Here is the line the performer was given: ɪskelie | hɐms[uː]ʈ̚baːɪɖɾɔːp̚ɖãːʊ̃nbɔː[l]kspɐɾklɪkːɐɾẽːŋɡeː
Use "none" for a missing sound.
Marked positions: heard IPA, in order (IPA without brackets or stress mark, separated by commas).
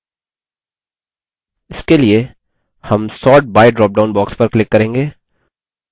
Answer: ɔː, none